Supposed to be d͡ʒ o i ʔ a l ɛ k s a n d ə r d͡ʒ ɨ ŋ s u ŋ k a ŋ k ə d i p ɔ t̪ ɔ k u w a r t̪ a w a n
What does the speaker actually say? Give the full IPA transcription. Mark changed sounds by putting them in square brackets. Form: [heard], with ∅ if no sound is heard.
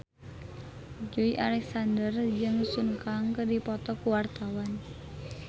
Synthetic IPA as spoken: d͡ʒ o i ʔ a l ɛ k s a n d ə r d͡ʒ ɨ ŋ s u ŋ k a ŋ k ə d i p ɔ t̪ ɔ k u w a r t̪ a w a n